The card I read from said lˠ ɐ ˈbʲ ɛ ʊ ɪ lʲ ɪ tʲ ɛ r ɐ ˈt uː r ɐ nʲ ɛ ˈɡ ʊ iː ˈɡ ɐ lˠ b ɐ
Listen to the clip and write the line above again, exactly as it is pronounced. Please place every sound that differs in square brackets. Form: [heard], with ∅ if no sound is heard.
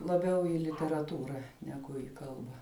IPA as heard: lˠ ɐ ˈbʲ ɛ ʊ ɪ lʲ ɪ tʲ ɛ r ɐ ˈt uː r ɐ nʲ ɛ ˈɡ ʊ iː [ˈk] ɐ lˠ b ɐ